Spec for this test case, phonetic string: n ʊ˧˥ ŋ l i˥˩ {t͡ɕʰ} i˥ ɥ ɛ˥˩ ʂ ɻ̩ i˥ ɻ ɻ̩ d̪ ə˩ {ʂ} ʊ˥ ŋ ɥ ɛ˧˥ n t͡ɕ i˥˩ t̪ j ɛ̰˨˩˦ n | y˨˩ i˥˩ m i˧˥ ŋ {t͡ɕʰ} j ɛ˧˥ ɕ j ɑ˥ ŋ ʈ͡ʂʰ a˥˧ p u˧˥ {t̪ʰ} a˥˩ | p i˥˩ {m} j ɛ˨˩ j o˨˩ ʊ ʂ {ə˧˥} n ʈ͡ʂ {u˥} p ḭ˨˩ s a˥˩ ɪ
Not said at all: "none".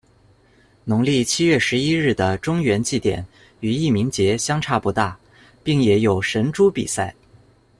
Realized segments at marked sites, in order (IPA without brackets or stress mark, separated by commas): t͡ɕʰ, ʈ͡ʂ, t͡ɕ, t̪, ŋ, ə˧˥, u˥